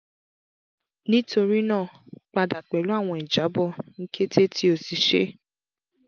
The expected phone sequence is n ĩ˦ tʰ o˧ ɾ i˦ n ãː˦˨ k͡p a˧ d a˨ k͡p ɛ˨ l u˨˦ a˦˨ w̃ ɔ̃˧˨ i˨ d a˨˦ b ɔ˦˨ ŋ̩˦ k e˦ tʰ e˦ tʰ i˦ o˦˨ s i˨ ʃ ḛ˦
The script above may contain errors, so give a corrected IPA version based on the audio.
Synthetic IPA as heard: n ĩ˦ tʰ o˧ ɾ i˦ n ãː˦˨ k͡p a˧ d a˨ k͡p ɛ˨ l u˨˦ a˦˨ w̃ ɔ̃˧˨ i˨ d͡ʒ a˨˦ b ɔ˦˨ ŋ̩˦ k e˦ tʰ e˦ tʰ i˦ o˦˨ s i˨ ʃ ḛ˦